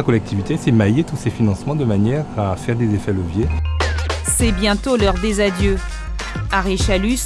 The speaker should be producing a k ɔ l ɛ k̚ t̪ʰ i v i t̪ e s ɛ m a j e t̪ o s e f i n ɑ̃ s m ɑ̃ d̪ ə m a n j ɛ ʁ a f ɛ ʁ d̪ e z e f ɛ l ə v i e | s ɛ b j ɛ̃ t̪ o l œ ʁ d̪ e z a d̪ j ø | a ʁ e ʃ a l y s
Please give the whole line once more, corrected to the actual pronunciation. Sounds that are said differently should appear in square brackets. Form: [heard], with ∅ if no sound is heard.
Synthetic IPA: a k ɔ l ɛ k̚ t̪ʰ i v i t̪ e s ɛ m a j e t̪ [u] s e f i n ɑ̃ s m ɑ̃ d̪ ə m a n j ɛ ʁ a f ɛ ʁ d̪ e z e f ɛ l ə v [j] e | s ɛ b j ɛ̃ t̪ o l œ ʁ d̪ e z a d̪ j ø | a ʁ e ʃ a l y s